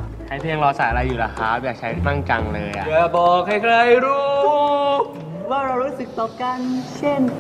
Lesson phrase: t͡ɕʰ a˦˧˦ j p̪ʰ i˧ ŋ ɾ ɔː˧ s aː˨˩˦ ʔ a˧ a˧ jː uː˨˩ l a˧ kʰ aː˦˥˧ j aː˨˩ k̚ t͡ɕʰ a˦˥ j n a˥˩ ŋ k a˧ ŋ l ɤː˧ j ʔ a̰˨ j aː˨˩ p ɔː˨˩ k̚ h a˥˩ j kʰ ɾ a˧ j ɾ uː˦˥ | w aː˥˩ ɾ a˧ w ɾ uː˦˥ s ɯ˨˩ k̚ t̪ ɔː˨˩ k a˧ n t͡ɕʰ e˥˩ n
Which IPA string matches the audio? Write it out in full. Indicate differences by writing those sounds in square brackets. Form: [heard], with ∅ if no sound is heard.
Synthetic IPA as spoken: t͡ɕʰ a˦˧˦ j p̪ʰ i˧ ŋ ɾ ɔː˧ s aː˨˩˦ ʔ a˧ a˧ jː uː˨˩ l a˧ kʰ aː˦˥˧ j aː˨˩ k̚ t͡ɕʰ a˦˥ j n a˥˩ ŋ k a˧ ŋ l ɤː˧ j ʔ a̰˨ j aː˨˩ [b] ɔː˨˩ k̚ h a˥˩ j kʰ ɾ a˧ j ɾ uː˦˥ | w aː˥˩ ɾ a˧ w ɾ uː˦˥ s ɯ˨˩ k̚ t̪ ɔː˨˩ k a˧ n t͡ɕʰ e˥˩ n